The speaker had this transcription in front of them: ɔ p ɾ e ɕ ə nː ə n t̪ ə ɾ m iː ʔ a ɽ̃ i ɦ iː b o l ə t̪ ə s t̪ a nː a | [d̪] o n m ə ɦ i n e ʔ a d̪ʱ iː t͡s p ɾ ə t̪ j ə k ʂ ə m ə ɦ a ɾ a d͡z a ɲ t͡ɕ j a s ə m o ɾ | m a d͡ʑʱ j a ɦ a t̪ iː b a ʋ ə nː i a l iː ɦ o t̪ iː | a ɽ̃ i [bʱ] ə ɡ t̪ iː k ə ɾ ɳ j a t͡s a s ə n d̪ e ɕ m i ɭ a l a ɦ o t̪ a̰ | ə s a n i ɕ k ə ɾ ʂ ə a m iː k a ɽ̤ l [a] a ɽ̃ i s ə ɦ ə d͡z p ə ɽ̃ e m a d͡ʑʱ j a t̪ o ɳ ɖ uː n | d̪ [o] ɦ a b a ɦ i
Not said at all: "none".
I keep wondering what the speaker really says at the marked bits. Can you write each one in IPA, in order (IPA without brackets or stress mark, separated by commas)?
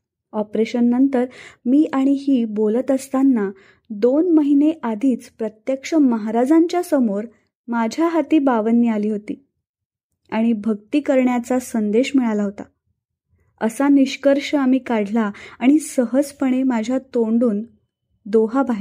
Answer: d̪, bʱ, a, o